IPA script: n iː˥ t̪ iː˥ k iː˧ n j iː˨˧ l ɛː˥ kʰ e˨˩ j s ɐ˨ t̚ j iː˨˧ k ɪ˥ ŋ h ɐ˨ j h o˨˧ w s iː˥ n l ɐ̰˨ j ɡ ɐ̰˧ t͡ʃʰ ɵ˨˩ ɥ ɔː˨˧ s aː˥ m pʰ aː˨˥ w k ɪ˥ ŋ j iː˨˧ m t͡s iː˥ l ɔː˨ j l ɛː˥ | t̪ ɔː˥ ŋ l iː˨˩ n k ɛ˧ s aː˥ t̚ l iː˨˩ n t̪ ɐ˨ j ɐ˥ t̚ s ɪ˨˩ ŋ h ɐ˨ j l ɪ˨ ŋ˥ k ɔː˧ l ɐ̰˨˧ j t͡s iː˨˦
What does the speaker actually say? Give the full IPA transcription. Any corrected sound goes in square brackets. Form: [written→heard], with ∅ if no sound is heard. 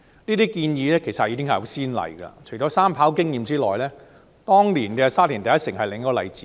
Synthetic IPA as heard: n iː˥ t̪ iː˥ k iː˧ n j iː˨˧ l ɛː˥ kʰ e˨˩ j s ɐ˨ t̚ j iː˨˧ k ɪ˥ ŋ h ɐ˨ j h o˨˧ w s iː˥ n l ɐ̰˨ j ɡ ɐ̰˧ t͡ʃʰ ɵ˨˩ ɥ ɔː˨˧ s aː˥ m pʰ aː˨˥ w k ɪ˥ ŋ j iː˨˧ m t͡s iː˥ l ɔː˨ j l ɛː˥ | t̪ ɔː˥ ŋ l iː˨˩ n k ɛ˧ s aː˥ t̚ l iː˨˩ n t̪ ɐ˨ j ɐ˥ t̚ s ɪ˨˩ ŋ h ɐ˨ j l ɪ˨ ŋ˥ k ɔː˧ l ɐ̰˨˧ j t͡s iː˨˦